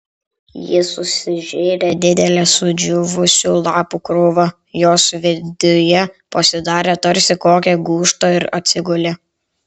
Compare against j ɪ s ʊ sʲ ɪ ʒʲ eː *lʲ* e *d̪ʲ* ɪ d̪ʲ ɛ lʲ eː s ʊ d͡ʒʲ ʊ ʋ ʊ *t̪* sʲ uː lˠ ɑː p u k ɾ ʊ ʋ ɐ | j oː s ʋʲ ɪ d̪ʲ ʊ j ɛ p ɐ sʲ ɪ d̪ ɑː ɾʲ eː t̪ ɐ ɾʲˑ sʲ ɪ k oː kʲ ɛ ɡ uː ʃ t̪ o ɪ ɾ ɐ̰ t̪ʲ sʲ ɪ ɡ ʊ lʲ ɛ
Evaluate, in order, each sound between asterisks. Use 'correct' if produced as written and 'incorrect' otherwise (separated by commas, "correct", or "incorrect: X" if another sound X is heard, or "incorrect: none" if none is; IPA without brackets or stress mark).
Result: incorrect: ɾʲ, correct, incorrect: none